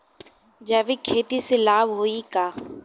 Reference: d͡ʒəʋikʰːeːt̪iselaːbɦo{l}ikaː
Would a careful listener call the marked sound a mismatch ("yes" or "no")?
yes